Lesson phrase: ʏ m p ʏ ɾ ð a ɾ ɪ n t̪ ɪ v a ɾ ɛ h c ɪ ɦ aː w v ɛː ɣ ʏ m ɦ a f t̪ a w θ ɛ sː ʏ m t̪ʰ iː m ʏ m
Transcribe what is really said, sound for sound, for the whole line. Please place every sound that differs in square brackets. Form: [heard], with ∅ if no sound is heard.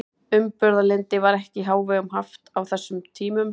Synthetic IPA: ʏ m p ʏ ɾ ð a [l] ɪ n t̪ ɪ v a ɾ ɛ h c ɪ ɦ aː w v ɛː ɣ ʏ m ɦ a f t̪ a w θ ɛ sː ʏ m t̪ʰ iː m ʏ m